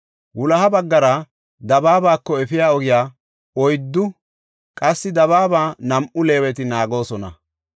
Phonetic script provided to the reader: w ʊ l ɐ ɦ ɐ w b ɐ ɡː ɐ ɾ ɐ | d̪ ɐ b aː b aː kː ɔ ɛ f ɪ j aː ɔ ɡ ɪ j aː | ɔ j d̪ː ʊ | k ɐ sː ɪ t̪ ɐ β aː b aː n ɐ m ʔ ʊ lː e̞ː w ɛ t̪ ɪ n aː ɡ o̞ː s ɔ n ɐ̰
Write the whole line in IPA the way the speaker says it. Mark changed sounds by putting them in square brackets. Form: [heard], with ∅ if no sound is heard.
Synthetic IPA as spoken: w ʊ l ɐ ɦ ɐ [∅] b ɐ ɡː ɐ ɾ ɐ | d̪ ɐ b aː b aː kː ɔ ɛ f ɪ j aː ɔ ɡ ɪ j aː | ɔ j d̪ː ʊ | [kʼ] ɐ sː ɪ [d̪] ɐ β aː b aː n ɐ m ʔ ʊ [l] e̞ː w ɛ t̪ ɪ n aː ɡ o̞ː s ɔ n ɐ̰